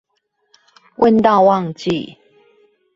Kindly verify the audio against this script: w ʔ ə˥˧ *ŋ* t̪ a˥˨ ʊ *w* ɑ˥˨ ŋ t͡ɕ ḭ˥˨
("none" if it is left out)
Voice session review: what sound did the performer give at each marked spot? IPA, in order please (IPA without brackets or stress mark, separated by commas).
n, w